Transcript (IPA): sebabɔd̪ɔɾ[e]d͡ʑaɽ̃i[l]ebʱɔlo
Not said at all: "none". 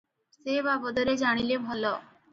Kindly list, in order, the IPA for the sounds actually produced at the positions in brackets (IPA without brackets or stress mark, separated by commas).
e, l